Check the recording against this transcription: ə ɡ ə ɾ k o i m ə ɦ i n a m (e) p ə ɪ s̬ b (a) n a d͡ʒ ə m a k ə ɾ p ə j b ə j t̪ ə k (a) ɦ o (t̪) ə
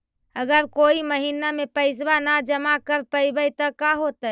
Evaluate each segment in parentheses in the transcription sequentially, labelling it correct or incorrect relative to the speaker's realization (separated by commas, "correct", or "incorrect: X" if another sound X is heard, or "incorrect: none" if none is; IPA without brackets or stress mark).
correct, correct, correct, correct